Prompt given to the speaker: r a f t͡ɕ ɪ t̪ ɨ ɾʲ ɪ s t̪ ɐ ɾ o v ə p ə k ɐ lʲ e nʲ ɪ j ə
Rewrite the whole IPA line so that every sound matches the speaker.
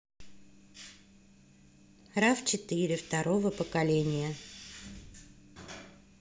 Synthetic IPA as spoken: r a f t͡ɕ ɪ t̪ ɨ ɾʲ ɪ f t̪ ɐ ɾ o v ə p ə k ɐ lʲ e nʲ ɪ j ə